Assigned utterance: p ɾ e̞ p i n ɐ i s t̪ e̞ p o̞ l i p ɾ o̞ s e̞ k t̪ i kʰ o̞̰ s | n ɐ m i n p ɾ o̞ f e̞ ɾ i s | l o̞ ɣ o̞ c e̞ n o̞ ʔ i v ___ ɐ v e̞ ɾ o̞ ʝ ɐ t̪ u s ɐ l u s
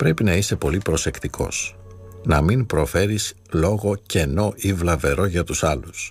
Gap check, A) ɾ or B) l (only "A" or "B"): B